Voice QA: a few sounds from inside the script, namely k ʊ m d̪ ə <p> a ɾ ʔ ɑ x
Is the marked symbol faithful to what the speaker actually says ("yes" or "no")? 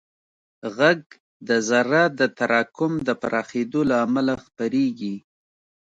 yes